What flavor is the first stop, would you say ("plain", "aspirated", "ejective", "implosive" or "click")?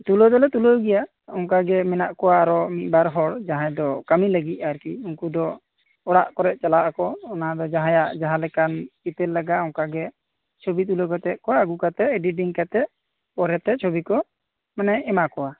plain